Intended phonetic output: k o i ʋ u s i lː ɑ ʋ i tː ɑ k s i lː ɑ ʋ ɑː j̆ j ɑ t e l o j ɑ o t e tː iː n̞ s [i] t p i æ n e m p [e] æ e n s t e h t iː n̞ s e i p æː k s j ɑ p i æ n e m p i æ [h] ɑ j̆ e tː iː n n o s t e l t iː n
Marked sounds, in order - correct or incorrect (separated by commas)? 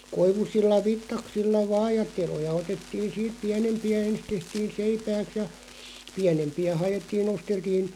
incorrect, incorrect, correct